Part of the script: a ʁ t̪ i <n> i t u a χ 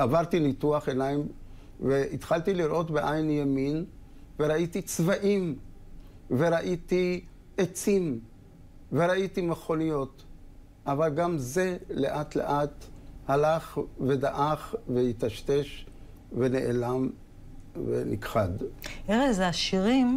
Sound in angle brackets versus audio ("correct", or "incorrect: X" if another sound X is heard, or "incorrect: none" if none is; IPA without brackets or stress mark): correct